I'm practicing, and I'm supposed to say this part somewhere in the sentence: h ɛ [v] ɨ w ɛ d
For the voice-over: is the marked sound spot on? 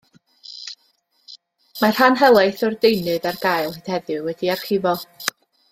no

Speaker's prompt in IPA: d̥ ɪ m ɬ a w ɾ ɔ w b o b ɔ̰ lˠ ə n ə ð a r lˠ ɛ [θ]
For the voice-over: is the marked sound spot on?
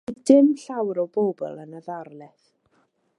yes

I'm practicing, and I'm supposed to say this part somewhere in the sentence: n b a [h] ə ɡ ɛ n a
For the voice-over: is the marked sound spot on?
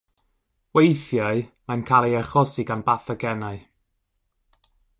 no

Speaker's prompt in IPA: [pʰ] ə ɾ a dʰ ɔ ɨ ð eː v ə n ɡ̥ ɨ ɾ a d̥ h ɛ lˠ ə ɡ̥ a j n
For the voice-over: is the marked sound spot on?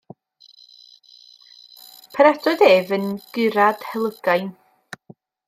yes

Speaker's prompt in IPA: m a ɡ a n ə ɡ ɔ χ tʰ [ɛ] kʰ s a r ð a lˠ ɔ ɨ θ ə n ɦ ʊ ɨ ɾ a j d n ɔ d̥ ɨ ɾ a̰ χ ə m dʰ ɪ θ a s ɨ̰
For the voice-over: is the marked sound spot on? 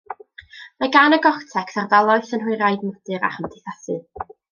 yes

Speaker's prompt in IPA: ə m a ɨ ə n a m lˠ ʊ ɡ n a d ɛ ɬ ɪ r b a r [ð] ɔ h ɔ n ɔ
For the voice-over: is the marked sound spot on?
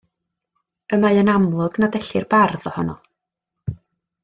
yes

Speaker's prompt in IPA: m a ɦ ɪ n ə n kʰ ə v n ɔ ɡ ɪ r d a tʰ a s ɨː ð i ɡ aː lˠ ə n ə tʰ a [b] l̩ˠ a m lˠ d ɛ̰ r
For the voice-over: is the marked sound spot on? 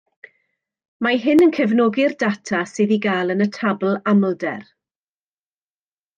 yes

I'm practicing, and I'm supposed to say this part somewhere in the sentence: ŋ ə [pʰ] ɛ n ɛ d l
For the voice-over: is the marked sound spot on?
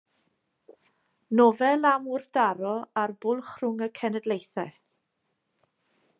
no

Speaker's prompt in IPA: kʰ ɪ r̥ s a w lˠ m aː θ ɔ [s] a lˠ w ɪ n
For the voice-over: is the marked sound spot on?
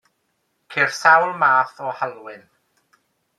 no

